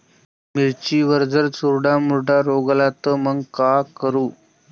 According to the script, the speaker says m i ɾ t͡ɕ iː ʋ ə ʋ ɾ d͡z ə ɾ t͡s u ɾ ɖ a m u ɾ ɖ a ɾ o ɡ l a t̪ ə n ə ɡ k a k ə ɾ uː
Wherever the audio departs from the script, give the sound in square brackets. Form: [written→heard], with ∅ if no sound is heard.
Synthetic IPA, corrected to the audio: m i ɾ t͡ɕ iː ʋ ə [ʋ→∅] ɾ d͡z ə ɾ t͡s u ɾ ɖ a m u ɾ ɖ a ɾ o ɡ l a t̪ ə [n→m] ə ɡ k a k ə ɾ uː